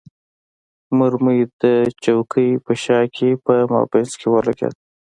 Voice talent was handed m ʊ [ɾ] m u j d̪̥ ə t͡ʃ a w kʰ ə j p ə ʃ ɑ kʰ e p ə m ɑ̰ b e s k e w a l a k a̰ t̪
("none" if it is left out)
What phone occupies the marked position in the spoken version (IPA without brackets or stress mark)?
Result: ɾ